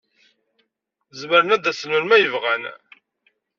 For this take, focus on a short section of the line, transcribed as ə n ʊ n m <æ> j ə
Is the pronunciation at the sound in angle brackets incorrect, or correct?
correct